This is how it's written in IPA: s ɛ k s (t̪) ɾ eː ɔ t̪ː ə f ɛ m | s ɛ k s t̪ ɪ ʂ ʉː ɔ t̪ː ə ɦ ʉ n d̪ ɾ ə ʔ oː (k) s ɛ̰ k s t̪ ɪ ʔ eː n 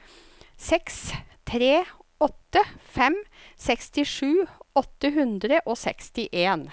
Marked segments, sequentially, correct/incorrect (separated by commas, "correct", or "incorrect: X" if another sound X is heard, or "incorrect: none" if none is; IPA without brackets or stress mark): incorrect: t̪ʰ, incorrect: none